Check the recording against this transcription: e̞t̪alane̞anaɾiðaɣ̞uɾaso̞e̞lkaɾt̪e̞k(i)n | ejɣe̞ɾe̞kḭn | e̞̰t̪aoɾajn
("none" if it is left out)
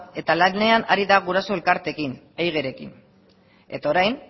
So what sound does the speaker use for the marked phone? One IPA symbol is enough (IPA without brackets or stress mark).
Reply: i